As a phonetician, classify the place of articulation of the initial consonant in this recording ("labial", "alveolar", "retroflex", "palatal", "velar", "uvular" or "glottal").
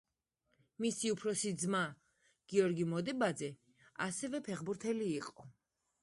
labial